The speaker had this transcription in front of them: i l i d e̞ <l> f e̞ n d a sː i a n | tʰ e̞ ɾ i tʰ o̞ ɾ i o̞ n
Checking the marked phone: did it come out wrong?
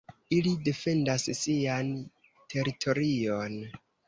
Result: yes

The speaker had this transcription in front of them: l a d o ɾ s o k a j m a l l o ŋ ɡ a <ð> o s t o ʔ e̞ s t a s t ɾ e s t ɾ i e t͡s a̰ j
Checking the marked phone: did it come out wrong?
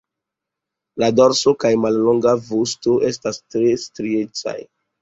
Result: yes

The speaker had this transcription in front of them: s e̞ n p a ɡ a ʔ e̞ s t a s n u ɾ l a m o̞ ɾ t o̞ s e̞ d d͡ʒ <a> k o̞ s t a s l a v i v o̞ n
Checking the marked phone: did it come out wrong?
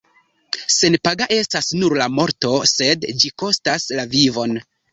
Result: yes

